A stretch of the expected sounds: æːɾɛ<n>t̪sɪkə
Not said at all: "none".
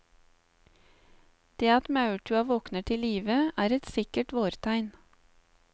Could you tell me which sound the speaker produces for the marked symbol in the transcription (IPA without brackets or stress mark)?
none